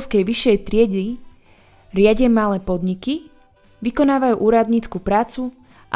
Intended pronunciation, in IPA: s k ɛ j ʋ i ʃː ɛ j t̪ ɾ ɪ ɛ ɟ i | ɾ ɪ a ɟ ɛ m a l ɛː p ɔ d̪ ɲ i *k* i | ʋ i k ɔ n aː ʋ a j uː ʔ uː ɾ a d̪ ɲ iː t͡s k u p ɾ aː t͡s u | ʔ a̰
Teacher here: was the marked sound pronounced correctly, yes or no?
yes